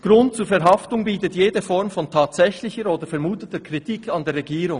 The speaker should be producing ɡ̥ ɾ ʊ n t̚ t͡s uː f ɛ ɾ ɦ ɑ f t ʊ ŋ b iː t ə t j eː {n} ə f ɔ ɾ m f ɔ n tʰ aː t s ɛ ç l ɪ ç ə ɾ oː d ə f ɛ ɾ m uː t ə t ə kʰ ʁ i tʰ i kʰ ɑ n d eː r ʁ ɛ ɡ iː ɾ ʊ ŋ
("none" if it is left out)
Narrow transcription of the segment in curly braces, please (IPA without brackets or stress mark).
d